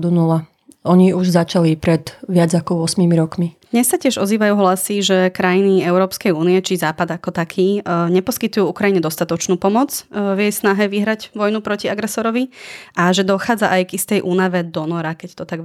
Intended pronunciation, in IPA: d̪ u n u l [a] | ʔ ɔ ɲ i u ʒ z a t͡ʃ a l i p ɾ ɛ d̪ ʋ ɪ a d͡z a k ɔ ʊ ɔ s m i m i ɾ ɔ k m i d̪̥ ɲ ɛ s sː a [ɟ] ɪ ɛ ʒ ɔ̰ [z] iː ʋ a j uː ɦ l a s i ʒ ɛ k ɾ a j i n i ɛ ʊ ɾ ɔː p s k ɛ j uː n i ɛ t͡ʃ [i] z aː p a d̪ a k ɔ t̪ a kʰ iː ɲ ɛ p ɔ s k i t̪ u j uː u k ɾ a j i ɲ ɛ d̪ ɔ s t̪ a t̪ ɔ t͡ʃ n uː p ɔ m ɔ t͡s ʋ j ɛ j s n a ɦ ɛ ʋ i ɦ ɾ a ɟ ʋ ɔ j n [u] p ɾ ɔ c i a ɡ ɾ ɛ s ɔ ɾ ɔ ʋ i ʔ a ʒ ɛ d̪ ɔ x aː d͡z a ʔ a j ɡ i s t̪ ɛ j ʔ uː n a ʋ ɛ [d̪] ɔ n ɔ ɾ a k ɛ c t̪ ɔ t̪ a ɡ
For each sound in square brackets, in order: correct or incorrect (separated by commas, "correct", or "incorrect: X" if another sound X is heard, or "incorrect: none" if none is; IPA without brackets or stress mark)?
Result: correct, incorrect: c, correct, correct, correct, correct